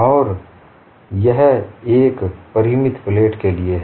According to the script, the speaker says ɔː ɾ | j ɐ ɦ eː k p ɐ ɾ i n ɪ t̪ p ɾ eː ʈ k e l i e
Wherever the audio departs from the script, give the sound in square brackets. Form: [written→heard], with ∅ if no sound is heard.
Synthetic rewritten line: ɔː ɾ | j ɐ ɦ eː k p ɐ ɾ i [n→m] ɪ t̪ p [ɾ→l] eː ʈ k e l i e

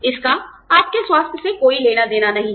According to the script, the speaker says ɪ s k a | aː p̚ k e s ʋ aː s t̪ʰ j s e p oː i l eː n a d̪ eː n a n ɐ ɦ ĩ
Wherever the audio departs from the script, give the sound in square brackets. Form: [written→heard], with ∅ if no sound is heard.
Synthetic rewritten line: ɪ s k a | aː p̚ k e s [ʋ→w] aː s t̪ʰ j s e [p→k] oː i l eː n a d̪ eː n a n ɐ ɦ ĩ

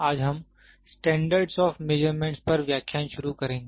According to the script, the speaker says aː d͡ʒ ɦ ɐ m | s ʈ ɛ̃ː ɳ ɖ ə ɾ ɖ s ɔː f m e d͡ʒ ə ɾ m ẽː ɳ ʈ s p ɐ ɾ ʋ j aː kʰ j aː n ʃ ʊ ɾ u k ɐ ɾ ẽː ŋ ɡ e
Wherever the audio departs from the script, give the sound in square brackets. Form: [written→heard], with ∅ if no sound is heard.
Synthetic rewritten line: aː d͡ʒ ɦ ɐ m | s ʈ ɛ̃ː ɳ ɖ ə ɾ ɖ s ɔː f m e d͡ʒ ə ɾ m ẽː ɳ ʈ s p ɐ ɾ ʋ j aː kʰ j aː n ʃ ʊ ɾ u k ɐ ɾ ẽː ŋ ɡ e

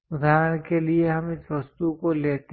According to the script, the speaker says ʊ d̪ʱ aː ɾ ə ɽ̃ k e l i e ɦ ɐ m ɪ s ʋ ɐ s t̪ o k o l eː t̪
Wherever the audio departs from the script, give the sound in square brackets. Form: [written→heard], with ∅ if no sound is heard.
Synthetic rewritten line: ʊ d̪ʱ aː ɾ ə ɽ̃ k e l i e ɦ ɐ m ɪ s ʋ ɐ s t̪ [o→u] k o l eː t̪

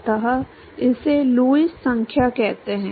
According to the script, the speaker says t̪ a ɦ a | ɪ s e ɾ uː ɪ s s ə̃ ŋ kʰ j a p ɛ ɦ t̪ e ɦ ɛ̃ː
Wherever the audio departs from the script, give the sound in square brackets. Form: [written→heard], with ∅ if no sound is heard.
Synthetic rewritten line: t̪ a ɦ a | ɪ s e [ɾ→l] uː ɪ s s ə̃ ŋ kʰ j a [p→k] ɛ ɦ t̪ e ɦ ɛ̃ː

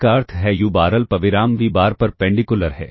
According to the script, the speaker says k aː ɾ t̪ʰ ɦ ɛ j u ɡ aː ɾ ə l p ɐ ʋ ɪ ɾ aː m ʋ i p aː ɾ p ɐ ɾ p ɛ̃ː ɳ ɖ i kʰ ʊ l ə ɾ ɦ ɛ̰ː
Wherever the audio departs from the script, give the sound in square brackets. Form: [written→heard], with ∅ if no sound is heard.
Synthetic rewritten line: k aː ɾ t̪ʰ ɦ ɛ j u [ɡ→b] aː ɾ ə l p ɐ ʋ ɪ ɾ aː m ʋ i [p→b] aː ɾ p ɐ ɾ p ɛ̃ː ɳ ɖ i [kʰ→k] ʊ l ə ɾ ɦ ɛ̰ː

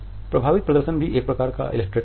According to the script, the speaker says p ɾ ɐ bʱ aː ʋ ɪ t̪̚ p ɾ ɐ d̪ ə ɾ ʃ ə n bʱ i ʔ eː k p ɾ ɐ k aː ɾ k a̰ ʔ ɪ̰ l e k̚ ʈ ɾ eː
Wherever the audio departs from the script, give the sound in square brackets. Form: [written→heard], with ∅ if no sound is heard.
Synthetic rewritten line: p ɾ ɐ bʱ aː ʋ ɪ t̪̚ p ɾ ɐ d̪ ə ɾ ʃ ə n bʱ i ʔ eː k p ɾ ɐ k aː ɾ k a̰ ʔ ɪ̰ l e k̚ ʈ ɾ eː

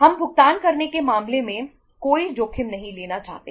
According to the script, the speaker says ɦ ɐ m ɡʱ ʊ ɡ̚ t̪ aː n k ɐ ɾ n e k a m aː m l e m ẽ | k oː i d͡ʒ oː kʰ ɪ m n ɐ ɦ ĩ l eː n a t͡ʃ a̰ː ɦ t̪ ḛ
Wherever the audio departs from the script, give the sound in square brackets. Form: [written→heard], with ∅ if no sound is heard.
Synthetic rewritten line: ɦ ɐ m [ɡʱ→bʱ] ʊ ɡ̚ t̪ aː n k ɐ ɾ n e k [a→e] m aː m l e m ẽ | k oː i d͡ʒ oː kʰ ɪ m n ɐ ɦ ĩ l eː n a t͡ʃ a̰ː ɦ t̪ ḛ

